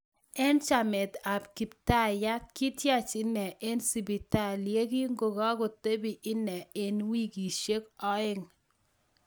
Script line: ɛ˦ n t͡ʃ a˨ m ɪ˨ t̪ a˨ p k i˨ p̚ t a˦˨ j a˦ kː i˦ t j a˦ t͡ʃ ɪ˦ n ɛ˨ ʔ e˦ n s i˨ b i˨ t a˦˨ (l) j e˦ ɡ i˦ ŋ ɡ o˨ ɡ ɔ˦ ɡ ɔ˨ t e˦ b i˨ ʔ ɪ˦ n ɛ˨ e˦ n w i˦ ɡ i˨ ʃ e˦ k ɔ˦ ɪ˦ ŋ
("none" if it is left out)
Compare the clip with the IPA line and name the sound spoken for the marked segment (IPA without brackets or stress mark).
l